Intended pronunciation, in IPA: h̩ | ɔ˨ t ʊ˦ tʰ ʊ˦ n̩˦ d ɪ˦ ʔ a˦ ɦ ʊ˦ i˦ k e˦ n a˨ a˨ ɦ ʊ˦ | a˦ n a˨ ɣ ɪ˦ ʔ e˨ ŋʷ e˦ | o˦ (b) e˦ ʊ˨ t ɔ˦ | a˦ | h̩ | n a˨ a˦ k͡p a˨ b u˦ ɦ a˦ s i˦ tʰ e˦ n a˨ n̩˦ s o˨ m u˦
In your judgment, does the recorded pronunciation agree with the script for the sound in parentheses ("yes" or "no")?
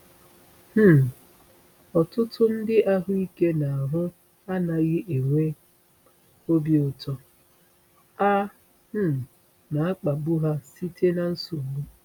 yes